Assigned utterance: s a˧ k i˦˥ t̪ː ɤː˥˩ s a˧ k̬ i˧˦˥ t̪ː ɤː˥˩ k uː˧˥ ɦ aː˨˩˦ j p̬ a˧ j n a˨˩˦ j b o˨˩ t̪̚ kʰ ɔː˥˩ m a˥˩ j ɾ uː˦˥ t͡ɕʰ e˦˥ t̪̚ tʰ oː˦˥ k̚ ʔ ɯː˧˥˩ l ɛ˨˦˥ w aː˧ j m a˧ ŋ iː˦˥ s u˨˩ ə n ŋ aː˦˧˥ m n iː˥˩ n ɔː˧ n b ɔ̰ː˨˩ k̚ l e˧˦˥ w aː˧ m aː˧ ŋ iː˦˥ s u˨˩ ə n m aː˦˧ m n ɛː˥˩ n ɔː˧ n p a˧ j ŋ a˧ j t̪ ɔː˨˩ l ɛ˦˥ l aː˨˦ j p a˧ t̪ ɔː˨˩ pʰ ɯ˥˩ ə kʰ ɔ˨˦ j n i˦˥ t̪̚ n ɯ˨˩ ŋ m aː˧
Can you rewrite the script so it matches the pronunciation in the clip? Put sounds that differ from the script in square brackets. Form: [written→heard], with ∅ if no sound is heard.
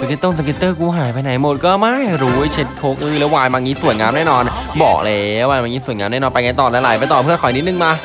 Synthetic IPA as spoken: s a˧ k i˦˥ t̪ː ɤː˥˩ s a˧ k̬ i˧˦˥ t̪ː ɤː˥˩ k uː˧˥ ɦ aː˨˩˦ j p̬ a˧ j n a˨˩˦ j [b→m] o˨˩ t̪̚ [kʰ→k] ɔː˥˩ m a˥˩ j ɾ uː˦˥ t͡ɕʰ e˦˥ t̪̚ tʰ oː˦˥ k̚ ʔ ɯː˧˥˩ l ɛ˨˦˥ w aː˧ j m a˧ ŋ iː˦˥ s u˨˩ ə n ŋ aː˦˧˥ m n [iː˥˩→ɛː˥˩] n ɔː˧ n b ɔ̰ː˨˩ k̚ l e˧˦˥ w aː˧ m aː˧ ŋ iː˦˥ s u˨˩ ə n [m→ŋ] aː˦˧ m n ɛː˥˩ n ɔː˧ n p a˧ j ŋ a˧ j t̪ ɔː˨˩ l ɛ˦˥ l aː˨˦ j p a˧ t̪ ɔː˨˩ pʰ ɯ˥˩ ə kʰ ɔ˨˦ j n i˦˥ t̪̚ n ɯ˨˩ ŋ m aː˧